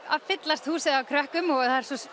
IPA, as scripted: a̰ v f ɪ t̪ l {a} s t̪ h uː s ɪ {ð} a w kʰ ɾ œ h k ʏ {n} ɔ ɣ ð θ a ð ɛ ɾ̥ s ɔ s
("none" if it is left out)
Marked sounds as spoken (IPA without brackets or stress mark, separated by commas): a, ð, m